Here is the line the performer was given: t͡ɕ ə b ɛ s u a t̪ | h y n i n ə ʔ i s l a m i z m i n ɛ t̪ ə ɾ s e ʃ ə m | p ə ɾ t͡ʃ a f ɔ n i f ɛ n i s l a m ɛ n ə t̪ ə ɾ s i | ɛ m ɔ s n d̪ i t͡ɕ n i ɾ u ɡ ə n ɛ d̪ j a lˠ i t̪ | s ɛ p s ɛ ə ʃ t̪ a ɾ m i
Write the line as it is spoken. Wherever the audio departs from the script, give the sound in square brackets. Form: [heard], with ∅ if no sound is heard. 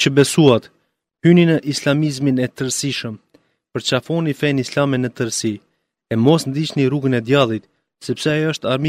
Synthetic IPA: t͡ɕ ə b ɛ s u a t̪ | h y n i n ə ʔ i s l a m i z m i n ɛ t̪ ə ɾ s [i] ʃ ə m | p ə ɾ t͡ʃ a f ɔ n i f ɛ n i s l a m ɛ n ə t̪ ə ɾ s i | ɛ m ɔ s n d̪ i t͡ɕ n i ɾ u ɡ ə n ɛ d̪ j a lˠ i t̪ | s ɛ p s ɛ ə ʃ t̪ a ɾ m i